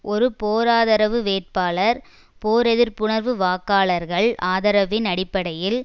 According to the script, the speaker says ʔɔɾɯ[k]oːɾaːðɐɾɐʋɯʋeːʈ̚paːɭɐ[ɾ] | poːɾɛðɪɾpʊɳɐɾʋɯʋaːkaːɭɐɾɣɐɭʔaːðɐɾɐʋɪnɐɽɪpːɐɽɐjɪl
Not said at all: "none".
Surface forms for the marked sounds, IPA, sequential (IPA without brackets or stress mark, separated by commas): p, ɾ